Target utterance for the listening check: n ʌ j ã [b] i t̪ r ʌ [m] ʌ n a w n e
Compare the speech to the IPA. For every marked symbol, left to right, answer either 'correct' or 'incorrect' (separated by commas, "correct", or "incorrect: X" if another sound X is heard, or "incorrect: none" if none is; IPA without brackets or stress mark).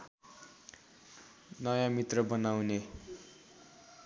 incorrect: m, incorrect: b